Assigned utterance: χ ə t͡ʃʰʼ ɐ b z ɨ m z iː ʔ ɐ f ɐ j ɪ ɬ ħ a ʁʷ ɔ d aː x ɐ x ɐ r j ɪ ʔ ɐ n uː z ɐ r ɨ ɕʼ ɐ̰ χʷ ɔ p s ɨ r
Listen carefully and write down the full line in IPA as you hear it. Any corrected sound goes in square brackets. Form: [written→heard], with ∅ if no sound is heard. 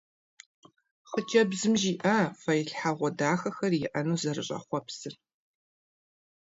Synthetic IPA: χ ə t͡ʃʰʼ ɐ b z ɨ m [z→ʒ] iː ʔ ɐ f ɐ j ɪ ɬ ħ a ʁʷ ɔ d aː x ɐ x ɐ r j ɪ ʔ ɐ n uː z ɐ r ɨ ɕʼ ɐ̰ χʷ ɔ p s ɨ r

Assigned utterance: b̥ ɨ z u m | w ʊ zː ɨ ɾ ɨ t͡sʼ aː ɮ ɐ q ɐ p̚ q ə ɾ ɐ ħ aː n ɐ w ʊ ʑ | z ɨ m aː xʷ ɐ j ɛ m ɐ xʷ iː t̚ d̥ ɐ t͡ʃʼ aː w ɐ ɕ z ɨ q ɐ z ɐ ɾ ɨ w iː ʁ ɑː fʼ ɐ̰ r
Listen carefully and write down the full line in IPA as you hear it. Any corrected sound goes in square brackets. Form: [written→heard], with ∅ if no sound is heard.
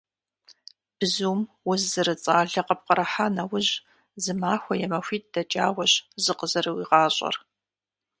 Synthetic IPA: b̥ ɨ z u m | w ʊ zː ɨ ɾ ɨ t͡sʼ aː ɮ ɐ q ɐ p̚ q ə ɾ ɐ ħ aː n ɐ w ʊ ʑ | z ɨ m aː xʷ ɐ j ɛ m ɐ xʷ iː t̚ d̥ ɐ t͡ʃʼ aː w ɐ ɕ z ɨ q [ɐ→ə] z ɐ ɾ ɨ w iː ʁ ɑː [fʼ→ɕʼ] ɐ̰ r

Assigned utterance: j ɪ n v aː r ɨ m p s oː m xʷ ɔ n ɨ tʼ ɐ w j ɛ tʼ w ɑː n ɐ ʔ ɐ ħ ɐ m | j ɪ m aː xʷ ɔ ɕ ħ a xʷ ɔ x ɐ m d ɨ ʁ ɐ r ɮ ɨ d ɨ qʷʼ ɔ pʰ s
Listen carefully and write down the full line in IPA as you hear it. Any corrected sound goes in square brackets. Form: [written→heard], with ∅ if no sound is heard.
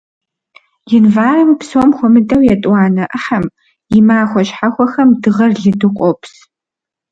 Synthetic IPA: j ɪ n v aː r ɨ m p s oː m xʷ ɔ [n→m] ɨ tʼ ɐ w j ɛ tʼ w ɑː n ɐ ʔ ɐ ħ ɐ m | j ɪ m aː xʷ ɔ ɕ ħ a xʷ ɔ x ɐ m d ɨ ʁ ɐ r ɮ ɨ d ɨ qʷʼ ɔ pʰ s

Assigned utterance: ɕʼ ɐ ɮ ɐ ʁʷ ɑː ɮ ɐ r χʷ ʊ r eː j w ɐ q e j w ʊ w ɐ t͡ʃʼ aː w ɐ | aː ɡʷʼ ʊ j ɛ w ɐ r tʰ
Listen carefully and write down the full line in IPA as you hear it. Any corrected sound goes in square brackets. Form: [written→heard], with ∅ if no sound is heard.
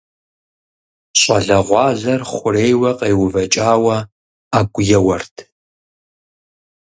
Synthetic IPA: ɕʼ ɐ ɮ ɐ ʁʷ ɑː ɮ ɐ r χʷ ʊ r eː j w ɐ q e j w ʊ [w→v] ɐ t͡ʃʼ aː w ɐ | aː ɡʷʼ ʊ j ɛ w ɐ r tʰ

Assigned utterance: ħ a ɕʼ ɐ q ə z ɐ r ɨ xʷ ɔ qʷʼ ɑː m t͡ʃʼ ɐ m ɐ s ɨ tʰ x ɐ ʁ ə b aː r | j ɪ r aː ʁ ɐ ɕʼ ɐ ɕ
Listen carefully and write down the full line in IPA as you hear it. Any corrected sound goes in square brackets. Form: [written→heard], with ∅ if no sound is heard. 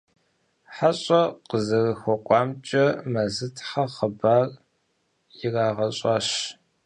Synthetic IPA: ħ a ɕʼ ɐ q ə z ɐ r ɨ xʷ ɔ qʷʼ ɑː m t͡ʃʼ ɐ m ɐ [s→z] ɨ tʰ [x→ħ] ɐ [ʁ→χ] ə b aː r | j ɪ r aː ʁ ɐ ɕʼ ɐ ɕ

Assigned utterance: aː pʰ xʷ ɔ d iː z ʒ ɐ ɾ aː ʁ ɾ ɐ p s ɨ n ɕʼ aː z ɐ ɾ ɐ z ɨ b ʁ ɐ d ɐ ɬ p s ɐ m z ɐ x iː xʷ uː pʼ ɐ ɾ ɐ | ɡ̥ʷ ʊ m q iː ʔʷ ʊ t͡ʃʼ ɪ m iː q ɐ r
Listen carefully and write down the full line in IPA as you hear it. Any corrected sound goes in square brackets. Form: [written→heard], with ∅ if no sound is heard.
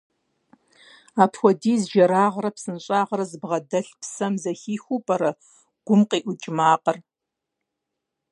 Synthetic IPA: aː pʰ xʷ ɔ d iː z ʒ ɐ ɾ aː ʁ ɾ ɐ p s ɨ n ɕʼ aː [z→ʁ] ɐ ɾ ɐ z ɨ b ʁ ɐ d ɐ ɬ p s ɐ m z ɐ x iː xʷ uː pʼ ɐ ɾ ɐ | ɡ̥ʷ ʊ m q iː ʔʷ ʊ t͡ʃʼ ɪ m [iː→aː] q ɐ r

